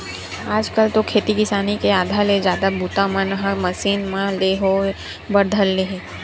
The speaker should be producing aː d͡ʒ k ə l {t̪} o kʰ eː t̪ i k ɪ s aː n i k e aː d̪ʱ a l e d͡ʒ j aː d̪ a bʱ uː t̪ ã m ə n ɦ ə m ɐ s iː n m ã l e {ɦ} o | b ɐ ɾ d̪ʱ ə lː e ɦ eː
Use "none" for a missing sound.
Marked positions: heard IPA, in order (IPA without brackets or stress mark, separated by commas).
t̪, ɦ